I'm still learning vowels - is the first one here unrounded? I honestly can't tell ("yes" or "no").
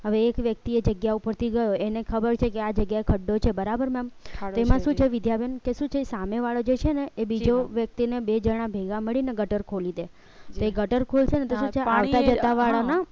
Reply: yes